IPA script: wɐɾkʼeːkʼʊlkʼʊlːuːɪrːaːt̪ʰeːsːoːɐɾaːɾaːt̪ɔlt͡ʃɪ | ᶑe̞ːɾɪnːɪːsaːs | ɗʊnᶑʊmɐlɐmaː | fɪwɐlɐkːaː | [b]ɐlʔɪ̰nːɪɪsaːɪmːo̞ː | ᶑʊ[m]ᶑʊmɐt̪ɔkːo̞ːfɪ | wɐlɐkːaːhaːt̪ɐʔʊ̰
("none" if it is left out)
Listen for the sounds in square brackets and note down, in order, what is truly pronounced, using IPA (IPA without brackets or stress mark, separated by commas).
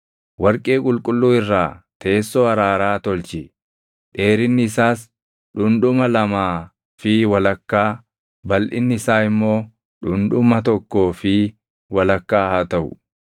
b, n